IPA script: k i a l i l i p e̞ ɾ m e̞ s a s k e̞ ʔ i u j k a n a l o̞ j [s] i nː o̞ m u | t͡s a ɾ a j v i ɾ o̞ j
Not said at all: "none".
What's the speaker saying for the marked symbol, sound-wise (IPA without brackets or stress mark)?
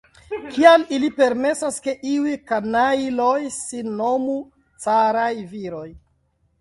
s